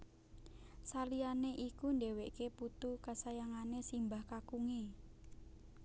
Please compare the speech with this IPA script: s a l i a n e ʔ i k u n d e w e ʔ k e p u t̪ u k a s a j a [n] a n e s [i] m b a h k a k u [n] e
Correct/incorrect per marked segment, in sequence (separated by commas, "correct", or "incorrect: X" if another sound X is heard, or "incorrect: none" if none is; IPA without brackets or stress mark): incorrect: ŋ, correct, incorrect: ŋ